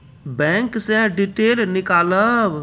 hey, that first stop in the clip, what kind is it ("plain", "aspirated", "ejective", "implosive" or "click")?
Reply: plain